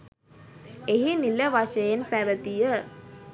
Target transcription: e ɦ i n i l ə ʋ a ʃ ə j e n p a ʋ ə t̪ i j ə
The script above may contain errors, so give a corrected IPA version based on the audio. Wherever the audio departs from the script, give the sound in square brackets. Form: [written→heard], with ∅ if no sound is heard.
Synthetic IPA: e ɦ i n i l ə ʋ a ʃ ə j e n p [a→æ] ʋ ə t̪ i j ə